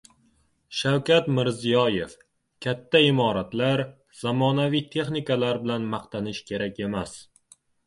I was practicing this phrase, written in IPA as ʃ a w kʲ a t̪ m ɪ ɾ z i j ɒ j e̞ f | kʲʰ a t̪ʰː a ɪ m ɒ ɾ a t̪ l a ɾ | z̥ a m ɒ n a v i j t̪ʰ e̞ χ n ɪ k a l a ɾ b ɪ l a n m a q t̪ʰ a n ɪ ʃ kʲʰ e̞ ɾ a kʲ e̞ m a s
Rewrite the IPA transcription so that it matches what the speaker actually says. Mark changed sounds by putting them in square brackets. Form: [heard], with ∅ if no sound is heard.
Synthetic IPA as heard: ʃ a w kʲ a t̪ m ɪ ɾ z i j ɒ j e̞ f | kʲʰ a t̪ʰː a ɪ m ɒ ɾ a t̪ l a ɾ | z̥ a m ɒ n a v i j t̪ʰ e̞ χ n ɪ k a l a ɾ b ɪ l a n m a q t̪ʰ a n ɪ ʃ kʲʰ e̞ ɾ a kʲ e̞ m a s

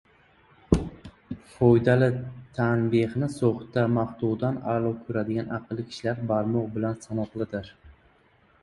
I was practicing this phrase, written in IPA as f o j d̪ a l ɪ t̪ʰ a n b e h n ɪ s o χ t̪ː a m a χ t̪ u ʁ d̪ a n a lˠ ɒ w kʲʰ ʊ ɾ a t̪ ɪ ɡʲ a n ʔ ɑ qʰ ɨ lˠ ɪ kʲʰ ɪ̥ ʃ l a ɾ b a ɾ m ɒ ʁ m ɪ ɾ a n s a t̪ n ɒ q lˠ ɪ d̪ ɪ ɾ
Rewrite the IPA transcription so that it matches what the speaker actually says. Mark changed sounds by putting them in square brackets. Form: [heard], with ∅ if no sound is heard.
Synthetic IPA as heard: f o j d̪ a l ɪ t̪ʰ a n b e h n ɪ s o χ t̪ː a m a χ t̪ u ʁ d̪ a n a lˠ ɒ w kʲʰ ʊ ɾ a [d̪] ɪ ɡʲ a n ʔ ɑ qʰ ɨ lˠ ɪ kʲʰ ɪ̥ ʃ l a ɾ b a ɾ m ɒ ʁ [b] ɪ [l] a n s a [∅] n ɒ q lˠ ɪ d̪ ɪ ɾ

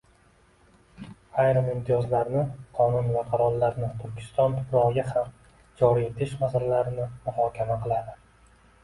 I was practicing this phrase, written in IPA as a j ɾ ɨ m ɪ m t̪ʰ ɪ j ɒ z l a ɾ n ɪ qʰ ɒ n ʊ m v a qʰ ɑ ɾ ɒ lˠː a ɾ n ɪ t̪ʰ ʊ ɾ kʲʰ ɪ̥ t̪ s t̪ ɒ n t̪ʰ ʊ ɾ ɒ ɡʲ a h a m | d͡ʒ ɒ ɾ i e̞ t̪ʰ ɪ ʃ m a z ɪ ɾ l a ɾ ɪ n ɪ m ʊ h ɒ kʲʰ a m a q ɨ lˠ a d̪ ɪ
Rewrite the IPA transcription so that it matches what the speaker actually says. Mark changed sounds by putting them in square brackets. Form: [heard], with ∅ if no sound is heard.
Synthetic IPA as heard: a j ɾ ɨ m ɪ m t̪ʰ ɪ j ɒ z l a ɾ n ɪ qʰ ɒ n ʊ [n] v a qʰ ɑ ɾ ɒ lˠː a ɾ n ɪ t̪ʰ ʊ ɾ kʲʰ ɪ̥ [∅] s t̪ ɒ n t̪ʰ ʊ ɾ ɒ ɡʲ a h a m | d͡ʒ ɒ ɾ i e̞ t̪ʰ ɪ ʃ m a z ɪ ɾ l a ɾ ɪ n ɪ m ʊ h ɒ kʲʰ a m a q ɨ lˠ a d̪ ɪ

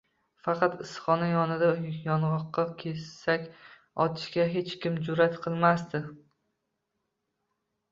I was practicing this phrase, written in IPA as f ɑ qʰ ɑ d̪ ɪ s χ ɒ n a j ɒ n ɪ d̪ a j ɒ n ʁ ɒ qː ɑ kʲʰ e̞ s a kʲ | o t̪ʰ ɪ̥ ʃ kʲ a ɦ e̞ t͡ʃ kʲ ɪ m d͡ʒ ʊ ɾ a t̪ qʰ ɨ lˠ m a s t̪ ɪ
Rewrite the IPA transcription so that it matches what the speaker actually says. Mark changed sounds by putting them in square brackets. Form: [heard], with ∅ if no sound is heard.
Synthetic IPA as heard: f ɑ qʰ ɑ [t̪] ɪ s χ ɒ n a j ɒ n ɪ d̪ a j ɒ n ʁ ɒ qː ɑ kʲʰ e̞ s a kʲ | [ɒ] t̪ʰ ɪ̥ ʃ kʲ a ɦ e̞ t͡ʃ kʲ ɪ m d͡ʒ ʊ ɾ a t̪ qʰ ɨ lˠ m a s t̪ ɪ

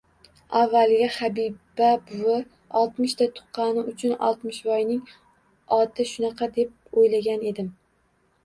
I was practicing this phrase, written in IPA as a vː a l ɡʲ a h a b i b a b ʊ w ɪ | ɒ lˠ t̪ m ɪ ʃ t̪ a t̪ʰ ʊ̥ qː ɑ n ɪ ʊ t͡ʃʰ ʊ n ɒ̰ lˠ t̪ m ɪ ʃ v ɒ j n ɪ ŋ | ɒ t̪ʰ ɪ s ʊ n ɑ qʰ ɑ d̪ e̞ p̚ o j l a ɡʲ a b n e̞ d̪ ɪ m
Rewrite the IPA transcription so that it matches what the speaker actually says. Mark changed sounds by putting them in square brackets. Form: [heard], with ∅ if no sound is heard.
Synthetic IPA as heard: a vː a l ɡʲ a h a b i b a b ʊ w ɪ | ɒ lˠ t̪ m ɪ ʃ t̪ a t̪ʰ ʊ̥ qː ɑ n ɪ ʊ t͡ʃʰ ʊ n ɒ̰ lˠ t̪ m ɪ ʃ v ɒ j n ɪ ŋ | ɒ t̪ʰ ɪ [ʃ] ʊ n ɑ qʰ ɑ d̪ e̞ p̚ o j l a ɡʲ a [∅] n e̞ d̪ ɪ m

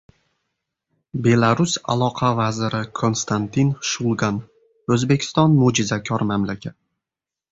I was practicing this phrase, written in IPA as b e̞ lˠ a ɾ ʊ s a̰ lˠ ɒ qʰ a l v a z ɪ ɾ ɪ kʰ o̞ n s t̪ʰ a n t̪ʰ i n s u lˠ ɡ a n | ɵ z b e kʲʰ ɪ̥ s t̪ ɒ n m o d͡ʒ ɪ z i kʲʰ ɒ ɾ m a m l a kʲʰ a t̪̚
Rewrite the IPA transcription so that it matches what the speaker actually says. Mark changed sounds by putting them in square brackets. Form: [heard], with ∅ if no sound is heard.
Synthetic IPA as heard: b e̞ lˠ a ɾ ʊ s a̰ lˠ ɒ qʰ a [∅] v a z ɪ ɾ ɪ kʰ o̞ n s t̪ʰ a n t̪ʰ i n [ʃ] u lˠ ɡ a n | ɵ z b e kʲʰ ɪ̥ s t̪ ɒ n m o d͡ʒ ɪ z [a] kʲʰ ɒ ɾ m a m l a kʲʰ a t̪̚

